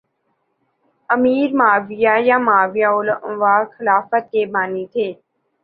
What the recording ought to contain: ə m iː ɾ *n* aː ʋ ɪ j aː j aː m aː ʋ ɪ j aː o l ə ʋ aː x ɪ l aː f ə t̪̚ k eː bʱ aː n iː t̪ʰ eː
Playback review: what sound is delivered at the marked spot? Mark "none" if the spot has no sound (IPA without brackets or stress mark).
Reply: m